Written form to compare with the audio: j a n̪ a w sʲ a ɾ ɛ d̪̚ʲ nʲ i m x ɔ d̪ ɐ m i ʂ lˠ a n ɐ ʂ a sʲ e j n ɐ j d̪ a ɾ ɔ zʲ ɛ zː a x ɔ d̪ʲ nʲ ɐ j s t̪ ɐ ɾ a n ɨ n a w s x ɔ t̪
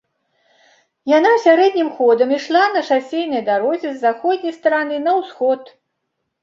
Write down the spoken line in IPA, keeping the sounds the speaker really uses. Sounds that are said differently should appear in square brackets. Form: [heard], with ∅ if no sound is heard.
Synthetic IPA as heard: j a n̪ a w sʲ a ɾ ɛ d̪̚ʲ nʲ i m x ɔ d̪ ɐ m i ʂ lˠ a n ɐ ʂ a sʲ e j n ɐ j d̪ a ɾ ɔ zʲ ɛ zː a x ɔ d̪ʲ nʲ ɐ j s t̪ ɐ ɾ a n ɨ n [ɐ] w s x ɔ t̪